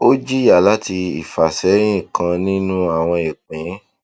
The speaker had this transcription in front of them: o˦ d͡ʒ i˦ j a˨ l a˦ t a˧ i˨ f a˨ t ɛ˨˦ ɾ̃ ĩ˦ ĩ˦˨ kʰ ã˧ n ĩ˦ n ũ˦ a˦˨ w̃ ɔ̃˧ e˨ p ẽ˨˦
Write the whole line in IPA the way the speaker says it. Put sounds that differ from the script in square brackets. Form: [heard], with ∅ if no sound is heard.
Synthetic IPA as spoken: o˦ d͡ʒ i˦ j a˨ l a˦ t [i˧] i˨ f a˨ [s] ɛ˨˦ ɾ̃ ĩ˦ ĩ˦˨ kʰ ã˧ n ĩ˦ n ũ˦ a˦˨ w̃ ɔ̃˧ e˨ [k͡p] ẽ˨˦